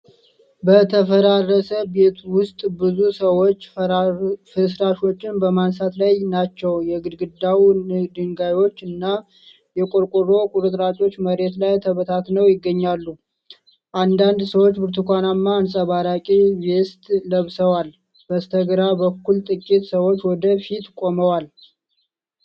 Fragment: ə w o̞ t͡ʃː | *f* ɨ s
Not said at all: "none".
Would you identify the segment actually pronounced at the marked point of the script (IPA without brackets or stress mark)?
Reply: f